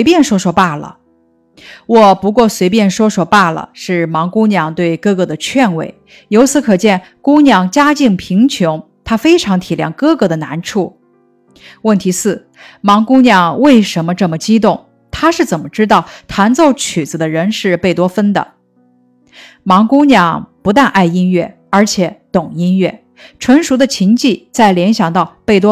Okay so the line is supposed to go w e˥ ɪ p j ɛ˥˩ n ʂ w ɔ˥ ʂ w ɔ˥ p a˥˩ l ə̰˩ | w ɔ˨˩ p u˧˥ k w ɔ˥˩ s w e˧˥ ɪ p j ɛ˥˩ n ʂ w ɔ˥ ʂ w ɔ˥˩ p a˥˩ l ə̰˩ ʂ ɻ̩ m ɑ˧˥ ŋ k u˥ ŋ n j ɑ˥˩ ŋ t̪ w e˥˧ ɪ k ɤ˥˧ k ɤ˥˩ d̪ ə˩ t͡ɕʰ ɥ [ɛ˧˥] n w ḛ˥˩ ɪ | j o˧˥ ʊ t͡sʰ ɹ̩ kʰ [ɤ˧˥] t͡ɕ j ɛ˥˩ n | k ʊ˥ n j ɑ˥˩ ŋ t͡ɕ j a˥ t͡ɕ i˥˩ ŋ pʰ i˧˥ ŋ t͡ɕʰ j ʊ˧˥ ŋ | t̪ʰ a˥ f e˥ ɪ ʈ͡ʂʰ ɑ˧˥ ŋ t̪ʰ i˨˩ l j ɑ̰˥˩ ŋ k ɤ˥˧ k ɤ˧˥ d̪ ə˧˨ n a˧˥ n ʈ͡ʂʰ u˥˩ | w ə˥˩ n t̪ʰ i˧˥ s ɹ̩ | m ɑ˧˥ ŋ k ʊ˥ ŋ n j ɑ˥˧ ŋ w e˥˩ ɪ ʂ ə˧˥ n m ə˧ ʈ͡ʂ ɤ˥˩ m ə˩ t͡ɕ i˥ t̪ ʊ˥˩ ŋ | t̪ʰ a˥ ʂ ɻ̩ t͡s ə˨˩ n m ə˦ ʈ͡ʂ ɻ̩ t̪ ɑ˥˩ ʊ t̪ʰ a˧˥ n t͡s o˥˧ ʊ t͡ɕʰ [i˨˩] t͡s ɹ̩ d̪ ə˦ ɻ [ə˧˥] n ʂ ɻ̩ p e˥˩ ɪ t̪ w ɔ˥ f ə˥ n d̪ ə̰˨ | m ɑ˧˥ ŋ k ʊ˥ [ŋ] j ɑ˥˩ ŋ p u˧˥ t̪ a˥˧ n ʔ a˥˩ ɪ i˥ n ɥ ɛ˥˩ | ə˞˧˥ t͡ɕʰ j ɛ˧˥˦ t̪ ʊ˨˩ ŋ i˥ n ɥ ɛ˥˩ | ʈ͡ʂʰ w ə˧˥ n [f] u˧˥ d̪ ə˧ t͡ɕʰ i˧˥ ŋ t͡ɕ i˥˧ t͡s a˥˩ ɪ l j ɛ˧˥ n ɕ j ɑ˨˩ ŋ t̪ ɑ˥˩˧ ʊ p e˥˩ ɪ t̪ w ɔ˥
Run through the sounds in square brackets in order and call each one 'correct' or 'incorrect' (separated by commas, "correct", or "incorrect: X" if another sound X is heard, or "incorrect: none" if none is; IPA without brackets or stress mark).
incorrect: ɛ˥˧, incorrect: ɤ˨˩, incorrect: y˨˩, correct, incorrect: n, incorrect: ʂ